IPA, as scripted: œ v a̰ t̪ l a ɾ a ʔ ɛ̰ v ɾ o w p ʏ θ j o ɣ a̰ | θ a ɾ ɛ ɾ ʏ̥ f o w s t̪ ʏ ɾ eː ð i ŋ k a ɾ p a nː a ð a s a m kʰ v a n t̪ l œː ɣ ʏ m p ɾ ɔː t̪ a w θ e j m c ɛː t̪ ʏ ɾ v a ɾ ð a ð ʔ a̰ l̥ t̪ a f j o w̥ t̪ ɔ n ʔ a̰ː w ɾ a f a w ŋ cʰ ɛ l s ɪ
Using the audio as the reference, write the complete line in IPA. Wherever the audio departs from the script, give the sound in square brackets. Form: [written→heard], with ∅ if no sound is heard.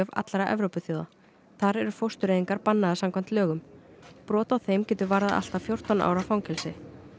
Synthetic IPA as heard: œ v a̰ t̪ l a ɾ a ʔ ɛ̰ v ɾ o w p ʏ θ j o [ɣ→ð] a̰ | θ a ɾ ɛ ɾ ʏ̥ f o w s t̪ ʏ ɾ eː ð i ŋ k a ɾ p a nː a ð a s a m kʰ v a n t̪ l œː ɣ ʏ m p ɾ ɔː t̪ a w θ e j m c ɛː t̪ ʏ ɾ v a ɾ ð a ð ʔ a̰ l̥ t̪ a f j o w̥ t̪ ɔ n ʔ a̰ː w ɾ a f a w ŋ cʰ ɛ l s ɪ